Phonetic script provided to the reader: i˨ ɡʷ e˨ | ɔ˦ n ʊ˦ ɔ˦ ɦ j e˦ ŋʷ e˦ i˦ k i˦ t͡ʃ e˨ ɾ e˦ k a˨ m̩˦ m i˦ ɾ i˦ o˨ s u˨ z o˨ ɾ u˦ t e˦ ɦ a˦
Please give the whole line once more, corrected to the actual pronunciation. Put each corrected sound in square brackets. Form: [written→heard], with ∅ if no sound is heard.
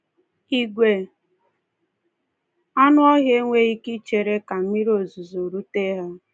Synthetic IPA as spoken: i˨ ɡʷ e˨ | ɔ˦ n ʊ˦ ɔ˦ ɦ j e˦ ŋʷ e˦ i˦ k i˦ t͡ʃ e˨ ɾ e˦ k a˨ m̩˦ m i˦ ɾ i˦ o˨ [s→z] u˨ z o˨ ɾ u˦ t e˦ ɦ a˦